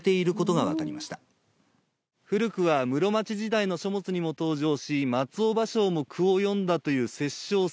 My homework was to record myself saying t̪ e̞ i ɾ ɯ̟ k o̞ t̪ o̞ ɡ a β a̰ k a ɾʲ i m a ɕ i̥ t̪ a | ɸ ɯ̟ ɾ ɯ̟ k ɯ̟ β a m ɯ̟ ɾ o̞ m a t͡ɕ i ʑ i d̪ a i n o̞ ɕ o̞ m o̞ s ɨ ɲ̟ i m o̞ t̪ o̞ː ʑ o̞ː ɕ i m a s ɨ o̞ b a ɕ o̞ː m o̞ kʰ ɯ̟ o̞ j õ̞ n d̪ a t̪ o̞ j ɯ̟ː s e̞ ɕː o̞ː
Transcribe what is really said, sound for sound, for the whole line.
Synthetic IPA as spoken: t̪ e̞ i ɾ ɯ̟ k o̞ t̪ o̞ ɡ a β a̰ k a ɾʲ i m a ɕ i̥ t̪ a | ɸ ɯ̟ ɾ ɯ̟ k ɯ̟ β a m ɯ̟ ɾ o̞ m a t͡ɕ i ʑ i d̪ a i n o̞ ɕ o̞ m o̞ t͡s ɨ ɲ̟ i m o̞ t̪ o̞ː ʑ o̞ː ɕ i m a t͡s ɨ o̞ b a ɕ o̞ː m o̞ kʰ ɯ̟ o̞ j õ̞ n d̪ a t̪ o̞ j ɯ̟ː s e̞ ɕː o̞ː